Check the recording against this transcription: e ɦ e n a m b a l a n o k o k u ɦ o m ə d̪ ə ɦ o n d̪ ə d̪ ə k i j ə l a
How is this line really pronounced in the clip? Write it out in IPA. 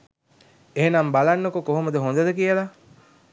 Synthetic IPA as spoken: e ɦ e n a m b a l a nː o k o k o ɦ o m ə d̪ ə ɦ o n d̪ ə d̪ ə k i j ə l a